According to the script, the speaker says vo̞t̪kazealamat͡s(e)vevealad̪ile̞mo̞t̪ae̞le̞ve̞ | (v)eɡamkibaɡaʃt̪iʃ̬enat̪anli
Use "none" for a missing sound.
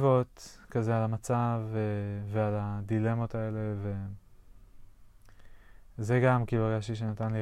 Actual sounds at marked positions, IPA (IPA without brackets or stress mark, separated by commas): a, z